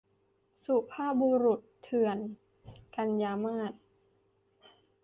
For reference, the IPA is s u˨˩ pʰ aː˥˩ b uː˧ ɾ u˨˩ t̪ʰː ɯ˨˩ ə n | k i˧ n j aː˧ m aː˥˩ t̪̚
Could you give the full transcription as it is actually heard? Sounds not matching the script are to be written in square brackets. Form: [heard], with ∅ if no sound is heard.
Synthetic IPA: s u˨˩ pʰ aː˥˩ b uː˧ ɾ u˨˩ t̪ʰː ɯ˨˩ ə n | k [a˧] n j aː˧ m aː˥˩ t̪̚

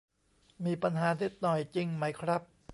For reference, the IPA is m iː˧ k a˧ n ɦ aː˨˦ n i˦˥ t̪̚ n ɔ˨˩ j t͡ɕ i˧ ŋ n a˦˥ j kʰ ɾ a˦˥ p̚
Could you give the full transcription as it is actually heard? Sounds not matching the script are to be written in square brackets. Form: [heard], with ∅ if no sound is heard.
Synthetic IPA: m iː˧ [p] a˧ n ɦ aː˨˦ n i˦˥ t̪̚ n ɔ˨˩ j t͡ɕ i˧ ŋ [m] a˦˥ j kʰ ɾ a˦˥ p̚

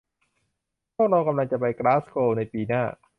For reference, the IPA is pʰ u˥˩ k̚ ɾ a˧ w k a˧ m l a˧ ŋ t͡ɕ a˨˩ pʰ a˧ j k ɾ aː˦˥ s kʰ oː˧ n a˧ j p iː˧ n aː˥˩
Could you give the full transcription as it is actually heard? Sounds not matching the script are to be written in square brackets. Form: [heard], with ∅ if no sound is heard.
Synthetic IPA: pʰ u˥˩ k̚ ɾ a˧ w k a˧ m l a˧ ŋ t͡ɕ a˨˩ [p] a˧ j k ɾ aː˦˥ s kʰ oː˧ n a˧ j p iː˧ n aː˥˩

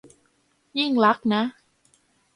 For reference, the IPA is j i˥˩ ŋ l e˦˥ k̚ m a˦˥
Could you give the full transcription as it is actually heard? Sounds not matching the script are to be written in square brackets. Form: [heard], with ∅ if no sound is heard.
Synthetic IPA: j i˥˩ ŋ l [a˦˥] k̚ [n] a˦˥

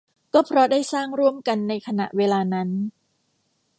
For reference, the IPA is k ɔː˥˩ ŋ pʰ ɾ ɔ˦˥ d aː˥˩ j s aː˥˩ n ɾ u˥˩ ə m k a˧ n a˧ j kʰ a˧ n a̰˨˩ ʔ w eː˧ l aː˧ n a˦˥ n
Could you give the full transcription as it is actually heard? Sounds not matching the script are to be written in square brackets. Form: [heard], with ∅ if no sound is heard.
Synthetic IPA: k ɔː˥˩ [∅] pʰ ɾ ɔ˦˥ d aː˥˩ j s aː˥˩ [ŋ] ɾ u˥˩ ə m k a˧ [nː] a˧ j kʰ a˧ n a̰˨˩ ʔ w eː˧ l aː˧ n a˦˥ n

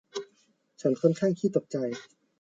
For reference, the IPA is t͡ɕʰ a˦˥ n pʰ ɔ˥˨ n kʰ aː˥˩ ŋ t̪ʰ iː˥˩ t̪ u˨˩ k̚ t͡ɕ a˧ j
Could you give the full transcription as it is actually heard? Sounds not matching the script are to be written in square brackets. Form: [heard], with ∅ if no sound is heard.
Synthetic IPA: t͡ɕʰ a˦˥ n [kʰ] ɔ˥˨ n kʰ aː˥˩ ŋ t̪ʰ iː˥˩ t̪ [o˨˩] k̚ t͡ɕ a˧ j

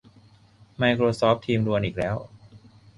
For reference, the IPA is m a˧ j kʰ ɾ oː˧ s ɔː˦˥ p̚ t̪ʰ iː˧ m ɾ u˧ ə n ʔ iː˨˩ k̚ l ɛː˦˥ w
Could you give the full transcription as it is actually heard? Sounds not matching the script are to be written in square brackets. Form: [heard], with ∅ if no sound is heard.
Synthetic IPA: m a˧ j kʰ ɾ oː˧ s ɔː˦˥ p̚ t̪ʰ iː˧ m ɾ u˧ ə n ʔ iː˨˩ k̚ l ɛː˦˥ w

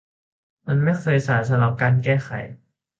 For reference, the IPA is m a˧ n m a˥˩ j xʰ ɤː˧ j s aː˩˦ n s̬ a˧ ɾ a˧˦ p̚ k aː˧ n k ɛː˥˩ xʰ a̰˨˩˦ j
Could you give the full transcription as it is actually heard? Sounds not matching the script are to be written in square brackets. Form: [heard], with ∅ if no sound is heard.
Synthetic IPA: m a˧ n m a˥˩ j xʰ ɤː˧ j s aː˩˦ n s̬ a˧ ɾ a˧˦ p̚ k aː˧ n k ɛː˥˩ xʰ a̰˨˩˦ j

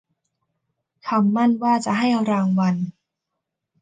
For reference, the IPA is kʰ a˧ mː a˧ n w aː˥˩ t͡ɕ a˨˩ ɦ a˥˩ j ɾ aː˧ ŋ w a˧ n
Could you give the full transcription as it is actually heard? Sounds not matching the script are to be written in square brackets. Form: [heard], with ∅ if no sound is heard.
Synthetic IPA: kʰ a˧ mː [a˥˩] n w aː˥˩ t͡ɕ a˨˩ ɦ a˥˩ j ɾ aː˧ ŋ w a˧ n

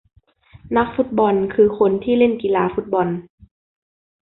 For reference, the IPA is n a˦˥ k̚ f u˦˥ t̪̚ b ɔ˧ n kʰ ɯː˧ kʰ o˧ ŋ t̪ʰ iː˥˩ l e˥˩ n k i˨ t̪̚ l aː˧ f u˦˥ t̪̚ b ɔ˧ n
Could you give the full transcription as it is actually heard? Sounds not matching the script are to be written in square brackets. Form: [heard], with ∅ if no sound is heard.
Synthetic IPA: n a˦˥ k̚ f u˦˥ t̪̚ b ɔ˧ n kʰ ɯː˧ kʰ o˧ [n] t̪ʰ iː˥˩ l e˥˩ n k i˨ [∅] l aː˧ f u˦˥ t̪̚ b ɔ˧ n

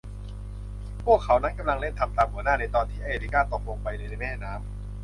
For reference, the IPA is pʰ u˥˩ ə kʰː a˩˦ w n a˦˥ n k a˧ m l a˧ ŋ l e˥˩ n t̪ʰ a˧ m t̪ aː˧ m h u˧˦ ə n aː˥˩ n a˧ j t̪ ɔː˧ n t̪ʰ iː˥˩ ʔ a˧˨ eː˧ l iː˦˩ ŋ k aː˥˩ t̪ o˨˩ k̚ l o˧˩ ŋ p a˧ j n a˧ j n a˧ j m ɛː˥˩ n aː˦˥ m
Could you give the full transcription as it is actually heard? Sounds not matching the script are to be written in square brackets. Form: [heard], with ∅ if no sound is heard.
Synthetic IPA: pʰ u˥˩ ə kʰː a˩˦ w n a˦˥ n k a˧ m l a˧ ŋ l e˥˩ n t̪ʰ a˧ m t̪ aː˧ m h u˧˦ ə n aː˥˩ n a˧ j t̪ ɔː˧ n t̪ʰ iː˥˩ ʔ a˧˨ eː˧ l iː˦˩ [∅] k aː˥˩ t̪ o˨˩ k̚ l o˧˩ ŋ p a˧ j n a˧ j n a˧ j m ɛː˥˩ n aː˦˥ m

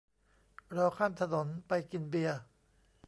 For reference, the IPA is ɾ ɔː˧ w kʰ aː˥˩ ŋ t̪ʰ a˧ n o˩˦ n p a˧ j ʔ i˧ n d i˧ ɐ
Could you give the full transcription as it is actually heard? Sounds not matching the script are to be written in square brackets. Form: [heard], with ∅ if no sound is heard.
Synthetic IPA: ɾ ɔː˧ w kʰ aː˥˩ [m] t̪ʰ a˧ n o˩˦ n p a˧ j [k] i˧ n [b] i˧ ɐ

